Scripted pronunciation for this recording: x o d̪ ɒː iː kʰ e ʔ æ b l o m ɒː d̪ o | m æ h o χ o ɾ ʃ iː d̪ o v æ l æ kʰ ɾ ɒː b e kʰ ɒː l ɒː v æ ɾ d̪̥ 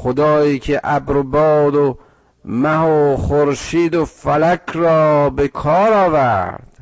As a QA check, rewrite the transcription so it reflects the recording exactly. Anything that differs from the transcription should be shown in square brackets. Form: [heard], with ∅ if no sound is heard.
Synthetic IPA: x o d̪ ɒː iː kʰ e ʔ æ b [ɾ] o [b] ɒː d̪ o | m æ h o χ o ɾ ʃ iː d̪ o [f] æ l æ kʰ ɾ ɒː b e kʰ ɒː [ɾ] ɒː v æ ɾ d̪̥